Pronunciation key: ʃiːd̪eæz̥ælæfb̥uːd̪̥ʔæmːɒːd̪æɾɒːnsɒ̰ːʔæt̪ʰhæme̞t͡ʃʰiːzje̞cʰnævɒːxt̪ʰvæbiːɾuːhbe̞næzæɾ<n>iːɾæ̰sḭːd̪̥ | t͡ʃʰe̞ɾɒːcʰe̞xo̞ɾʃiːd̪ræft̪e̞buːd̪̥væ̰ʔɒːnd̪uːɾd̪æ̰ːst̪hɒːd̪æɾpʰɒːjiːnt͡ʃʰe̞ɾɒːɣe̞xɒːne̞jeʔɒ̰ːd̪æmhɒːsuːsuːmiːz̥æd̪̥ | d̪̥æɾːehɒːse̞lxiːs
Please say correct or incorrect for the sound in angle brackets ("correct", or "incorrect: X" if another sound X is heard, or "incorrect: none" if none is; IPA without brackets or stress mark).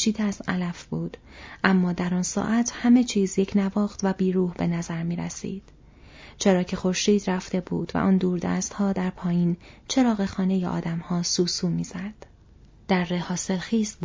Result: incorrect: m